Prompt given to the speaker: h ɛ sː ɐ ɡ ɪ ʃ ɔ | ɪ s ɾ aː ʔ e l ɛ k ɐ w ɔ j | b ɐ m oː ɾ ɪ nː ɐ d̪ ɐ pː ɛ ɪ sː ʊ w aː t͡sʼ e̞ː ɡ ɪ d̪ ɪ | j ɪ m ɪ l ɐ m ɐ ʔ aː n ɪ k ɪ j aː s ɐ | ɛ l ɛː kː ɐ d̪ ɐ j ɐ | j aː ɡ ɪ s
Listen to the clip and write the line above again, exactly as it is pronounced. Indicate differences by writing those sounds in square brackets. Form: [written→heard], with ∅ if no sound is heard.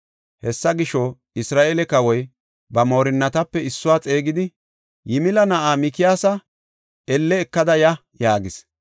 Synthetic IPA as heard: h ɛ sː ɐ ɡ ɪ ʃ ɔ | ɪ s ɾ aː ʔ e l ɛ k ɐ w ɔ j | b ɐ m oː ɾ ɪ nː ɐ [d̪→t̪] ɐ pː ɛ ɪ sː ʊ w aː t͡sʼ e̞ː ɡ ɪ d̪ ɪ | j ɪ m ɪ l ɐ [m→n] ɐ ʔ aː [n→m] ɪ k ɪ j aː s ɐ | ɛ [l→lː] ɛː kː ɐ d̪ ɐ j ɐ | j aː ɡ ɪ s